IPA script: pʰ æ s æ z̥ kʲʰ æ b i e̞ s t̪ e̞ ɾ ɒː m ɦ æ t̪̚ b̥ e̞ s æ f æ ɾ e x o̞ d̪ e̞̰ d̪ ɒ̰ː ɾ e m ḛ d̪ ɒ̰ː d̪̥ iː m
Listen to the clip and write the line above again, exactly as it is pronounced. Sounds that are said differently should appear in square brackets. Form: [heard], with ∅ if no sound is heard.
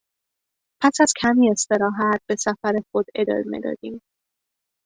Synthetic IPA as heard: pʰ æ s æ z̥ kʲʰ æ [m] i e̞ s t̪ e̞ ɾ ɒː [∅] ɦ æ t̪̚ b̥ e̞ s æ f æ ɾ e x o̞ d̪ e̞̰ d̪ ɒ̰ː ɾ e m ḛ d̪ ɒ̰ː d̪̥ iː m